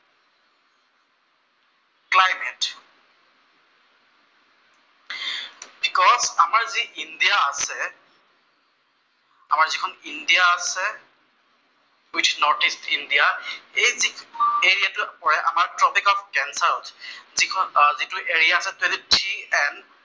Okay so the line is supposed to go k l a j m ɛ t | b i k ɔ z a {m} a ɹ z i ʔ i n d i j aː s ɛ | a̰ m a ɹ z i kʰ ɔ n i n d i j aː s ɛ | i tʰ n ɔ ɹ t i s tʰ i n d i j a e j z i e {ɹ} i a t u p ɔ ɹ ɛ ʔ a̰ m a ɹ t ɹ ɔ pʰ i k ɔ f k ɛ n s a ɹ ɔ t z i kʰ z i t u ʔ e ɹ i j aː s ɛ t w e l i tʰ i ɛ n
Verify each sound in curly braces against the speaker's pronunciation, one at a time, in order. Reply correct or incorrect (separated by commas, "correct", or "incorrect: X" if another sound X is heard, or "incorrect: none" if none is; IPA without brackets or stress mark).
correct, correct